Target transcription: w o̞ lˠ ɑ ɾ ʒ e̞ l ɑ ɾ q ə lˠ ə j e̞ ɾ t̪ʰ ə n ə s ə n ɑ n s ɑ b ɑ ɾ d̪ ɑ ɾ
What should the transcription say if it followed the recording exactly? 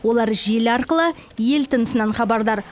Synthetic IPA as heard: w o̞ lˠ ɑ ɾ ʒ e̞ l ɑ ɾ q ə lˠ ə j e̞ l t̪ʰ ə n ə s ə n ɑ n χ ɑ b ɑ ɾ d̪ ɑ ɾ